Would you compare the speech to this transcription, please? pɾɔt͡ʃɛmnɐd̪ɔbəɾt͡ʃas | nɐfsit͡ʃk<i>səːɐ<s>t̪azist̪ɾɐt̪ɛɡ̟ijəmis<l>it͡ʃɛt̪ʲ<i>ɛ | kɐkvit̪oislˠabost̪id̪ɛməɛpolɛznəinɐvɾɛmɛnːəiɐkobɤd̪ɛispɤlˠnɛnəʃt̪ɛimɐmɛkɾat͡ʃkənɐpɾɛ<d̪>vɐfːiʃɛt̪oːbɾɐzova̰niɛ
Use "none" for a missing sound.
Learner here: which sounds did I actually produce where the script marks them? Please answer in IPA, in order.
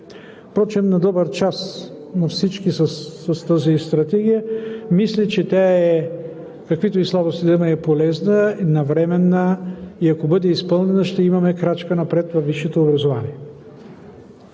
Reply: i, s, l, a, t̪

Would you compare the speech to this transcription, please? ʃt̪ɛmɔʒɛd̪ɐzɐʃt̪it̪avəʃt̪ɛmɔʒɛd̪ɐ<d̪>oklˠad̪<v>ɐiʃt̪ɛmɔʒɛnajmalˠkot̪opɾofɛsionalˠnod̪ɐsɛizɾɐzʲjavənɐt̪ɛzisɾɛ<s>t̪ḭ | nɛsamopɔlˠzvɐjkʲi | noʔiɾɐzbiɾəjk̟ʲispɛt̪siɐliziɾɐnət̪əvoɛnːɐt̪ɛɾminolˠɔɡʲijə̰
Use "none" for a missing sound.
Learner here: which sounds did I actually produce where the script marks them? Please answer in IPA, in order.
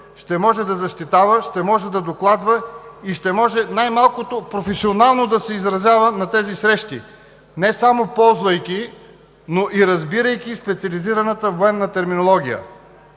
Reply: d̪, v, ʃ

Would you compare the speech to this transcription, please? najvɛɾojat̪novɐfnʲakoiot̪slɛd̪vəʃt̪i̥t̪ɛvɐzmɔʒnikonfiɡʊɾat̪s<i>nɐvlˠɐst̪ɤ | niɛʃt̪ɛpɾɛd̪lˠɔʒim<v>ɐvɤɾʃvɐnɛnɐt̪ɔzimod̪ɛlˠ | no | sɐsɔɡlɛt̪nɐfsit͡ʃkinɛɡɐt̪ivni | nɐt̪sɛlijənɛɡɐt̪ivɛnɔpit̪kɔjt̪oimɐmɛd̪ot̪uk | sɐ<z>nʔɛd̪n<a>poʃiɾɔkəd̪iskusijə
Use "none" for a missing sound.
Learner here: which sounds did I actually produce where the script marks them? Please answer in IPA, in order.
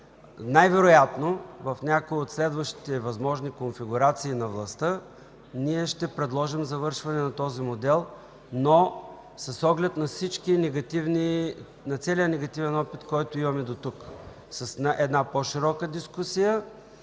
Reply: iː, z, s, a

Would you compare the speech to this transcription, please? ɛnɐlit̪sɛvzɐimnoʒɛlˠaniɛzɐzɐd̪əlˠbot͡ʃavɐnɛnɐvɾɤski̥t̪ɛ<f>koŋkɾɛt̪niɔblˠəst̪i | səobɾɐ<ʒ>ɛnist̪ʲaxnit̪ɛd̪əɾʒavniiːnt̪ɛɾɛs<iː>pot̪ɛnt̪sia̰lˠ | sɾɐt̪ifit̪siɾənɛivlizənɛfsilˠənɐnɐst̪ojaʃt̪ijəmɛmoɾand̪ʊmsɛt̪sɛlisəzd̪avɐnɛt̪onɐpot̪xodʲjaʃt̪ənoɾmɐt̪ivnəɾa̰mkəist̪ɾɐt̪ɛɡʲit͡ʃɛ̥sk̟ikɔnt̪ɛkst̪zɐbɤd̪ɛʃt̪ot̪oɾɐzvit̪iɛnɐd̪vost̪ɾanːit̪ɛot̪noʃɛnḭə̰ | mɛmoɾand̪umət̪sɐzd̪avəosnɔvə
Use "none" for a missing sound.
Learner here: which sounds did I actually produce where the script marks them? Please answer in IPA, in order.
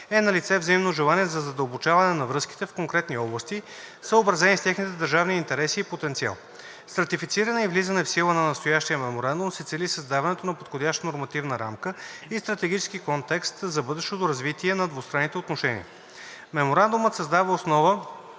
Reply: f, z, iː

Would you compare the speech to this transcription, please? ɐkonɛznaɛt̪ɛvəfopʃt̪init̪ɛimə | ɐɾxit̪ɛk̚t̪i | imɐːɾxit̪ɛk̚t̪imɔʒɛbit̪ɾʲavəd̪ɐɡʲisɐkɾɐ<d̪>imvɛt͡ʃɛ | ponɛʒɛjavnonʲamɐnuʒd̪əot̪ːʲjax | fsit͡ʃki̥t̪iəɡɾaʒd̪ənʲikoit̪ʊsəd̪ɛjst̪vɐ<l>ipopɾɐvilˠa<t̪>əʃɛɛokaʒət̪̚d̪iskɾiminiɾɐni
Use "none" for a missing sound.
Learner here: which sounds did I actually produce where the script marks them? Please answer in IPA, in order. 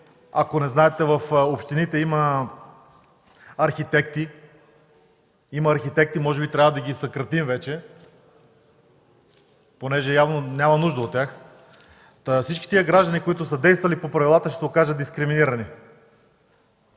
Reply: t̪, l, t̪

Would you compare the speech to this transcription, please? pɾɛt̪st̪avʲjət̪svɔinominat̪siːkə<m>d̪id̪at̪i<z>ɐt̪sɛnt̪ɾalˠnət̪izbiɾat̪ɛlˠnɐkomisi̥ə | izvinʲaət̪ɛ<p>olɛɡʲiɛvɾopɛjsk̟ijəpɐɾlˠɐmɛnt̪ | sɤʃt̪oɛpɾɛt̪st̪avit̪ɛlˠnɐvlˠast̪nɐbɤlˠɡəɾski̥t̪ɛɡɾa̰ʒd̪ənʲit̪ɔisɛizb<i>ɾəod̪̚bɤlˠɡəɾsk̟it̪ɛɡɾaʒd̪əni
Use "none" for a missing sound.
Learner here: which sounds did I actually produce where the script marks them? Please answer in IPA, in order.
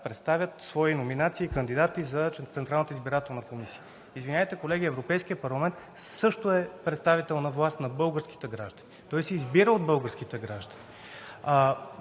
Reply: n, z, k, i

